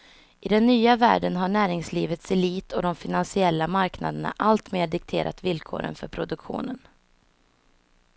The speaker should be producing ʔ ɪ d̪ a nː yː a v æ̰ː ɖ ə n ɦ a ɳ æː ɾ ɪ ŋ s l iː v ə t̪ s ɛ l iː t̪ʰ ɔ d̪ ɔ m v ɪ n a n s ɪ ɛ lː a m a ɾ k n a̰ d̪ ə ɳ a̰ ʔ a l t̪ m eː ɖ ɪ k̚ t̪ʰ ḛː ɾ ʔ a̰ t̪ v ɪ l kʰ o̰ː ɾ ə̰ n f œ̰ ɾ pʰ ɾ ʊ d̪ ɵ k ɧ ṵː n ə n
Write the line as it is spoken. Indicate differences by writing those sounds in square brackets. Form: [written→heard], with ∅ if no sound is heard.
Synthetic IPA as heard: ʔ ɪ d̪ [a→ɛ] nː yː a v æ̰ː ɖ ə n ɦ a ɳ æː ɾ ɪ ŋ s l iː v ə t̪ s ɛ l iː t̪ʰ ɔ d̪ ɔ m [v→f] ɪ n a n s ɪ ɛ lː a m a ɾ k n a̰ d̪ ə ɳ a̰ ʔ a l t̪ m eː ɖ ɪ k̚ t̪ʰ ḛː ɾ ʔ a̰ t̪ v ɪ l kʰ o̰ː ɾ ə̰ n f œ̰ ɾ pʰ ɾ ʊ d̪ ɵ k ɧ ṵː n ə n